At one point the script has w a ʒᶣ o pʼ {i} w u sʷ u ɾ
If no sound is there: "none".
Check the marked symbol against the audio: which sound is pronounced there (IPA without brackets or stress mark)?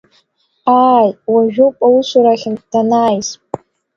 a